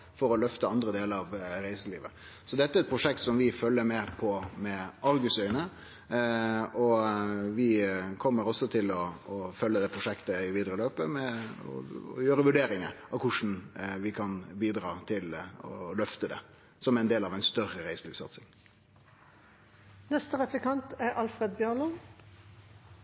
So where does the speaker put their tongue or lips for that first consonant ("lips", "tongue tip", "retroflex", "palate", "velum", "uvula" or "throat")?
lips